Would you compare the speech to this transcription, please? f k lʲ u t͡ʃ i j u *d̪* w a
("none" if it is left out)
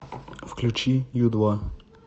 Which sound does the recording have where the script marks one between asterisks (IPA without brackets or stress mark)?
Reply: d̪